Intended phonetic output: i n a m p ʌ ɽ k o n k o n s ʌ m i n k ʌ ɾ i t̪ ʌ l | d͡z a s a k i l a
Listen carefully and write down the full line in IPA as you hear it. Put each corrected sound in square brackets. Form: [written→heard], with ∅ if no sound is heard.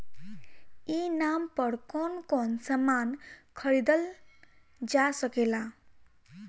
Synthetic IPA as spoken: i n a m p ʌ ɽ k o n k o n s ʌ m [i→a] n [k→kʰ] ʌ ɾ i [t̪→d̪] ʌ l | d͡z a s [a→ʌ] k [i→e] l a